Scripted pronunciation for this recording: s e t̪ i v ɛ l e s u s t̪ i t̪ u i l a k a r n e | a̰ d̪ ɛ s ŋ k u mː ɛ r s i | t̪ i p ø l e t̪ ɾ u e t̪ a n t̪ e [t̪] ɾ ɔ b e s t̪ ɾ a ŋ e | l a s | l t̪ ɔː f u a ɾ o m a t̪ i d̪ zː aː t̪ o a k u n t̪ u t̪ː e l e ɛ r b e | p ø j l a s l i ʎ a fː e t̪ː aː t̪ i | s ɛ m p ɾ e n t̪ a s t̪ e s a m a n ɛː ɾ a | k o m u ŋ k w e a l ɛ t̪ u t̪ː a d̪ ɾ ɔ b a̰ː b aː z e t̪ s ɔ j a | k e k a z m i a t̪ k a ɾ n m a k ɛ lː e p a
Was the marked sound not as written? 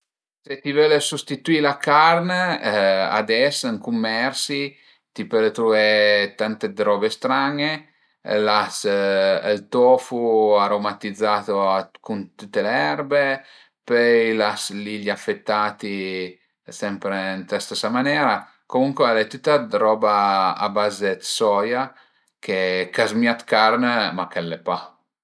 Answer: yes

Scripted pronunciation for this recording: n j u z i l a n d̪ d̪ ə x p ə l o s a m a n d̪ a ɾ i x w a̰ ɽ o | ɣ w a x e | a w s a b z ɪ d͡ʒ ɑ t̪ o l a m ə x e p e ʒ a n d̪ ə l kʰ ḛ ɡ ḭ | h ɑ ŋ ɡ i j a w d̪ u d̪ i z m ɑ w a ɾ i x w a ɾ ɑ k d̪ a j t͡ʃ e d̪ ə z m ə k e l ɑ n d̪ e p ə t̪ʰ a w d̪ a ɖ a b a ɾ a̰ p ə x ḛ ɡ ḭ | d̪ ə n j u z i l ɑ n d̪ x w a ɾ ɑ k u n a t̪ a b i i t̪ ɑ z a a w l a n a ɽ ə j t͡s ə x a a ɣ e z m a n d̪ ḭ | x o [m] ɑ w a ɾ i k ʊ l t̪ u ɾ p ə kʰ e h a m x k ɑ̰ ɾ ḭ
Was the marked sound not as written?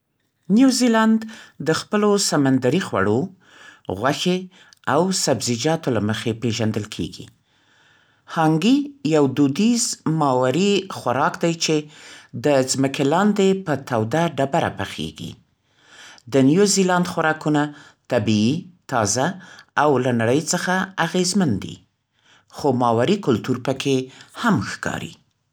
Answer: no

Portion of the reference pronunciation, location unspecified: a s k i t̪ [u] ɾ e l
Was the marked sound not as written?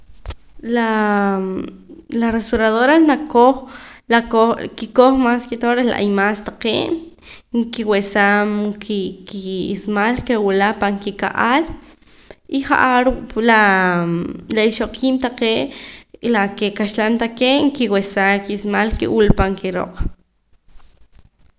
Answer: yes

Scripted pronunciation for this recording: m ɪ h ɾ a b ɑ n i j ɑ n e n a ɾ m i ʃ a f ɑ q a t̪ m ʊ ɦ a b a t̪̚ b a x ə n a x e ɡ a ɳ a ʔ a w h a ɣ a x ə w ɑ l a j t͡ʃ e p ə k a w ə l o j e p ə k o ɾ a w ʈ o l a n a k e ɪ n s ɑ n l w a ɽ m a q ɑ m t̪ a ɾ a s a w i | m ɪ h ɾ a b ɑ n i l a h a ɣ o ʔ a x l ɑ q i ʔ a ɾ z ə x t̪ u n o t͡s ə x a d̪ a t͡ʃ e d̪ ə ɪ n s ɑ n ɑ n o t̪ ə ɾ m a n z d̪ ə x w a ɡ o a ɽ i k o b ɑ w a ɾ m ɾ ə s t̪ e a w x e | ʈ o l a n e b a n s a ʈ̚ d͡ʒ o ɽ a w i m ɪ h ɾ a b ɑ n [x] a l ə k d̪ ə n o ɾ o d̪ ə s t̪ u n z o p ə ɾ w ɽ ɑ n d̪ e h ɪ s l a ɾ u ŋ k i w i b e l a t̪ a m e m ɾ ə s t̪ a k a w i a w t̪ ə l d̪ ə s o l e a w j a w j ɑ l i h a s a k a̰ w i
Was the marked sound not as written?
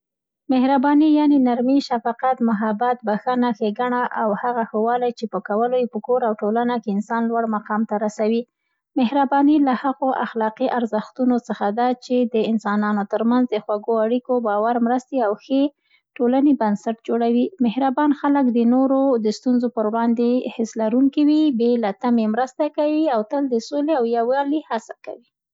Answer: no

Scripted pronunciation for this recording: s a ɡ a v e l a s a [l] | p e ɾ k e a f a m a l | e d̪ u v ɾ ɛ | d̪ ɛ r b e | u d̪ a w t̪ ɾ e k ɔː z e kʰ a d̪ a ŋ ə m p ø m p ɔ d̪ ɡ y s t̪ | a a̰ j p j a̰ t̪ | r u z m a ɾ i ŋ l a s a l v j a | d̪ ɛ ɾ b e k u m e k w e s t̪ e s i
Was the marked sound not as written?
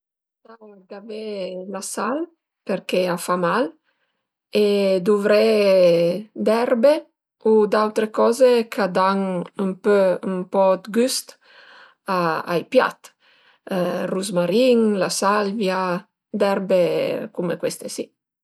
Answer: no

